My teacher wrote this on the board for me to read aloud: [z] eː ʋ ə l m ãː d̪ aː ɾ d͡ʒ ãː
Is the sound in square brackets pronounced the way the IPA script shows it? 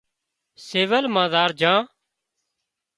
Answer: no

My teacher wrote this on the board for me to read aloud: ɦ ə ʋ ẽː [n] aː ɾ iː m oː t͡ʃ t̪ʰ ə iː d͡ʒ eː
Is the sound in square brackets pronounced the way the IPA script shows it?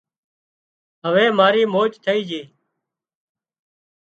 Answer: no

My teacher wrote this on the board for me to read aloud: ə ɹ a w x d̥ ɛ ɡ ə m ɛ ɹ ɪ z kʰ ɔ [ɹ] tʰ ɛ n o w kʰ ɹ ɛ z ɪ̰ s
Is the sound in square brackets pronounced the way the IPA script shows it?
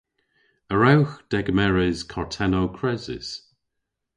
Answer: yes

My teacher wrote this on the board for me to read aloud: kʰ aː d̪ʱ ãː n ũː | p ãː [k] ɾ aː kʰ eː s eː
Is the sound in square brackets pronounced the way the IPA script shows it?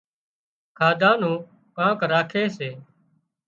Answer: yes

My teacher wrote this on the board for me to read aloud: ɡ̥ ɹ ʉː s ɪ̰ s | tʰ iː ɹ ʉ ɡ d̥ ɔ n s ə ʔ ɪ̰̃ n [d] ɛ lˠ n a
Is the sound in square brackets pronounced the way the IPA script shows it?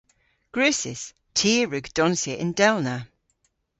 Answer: yes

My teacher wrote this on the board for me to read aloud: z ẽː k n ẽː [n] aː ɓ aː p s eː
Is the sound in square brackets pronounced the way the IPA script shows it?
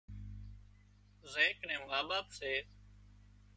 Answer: no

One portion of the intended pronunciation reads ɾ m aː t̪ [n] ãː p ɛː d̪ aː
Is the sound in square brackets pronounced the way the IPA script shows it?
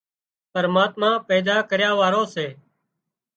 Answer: no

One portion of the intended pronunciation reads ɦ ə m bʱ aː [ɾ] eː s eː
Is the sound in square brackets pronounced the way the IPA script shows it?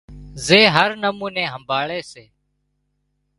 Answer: no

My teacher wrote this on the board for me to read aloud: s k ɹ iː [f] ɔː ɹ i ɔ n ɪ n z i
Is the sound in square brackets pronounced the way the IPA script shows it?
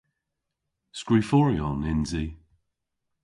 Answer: yes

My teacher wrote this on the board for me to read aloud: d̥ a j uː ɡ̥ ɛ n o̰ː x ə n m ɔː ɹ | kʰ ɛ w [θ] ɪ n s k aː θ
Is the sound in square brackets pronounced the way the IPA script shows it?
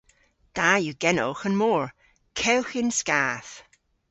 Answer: no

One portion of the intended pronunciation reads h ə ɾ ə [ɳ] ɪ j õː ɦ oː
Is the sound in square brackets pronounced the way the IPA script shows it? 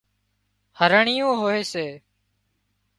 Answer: yes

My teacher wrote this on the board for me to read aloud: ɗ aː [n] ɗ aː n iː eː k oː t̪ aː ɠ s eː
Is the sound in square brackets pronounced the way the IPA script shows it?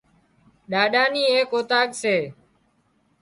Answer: no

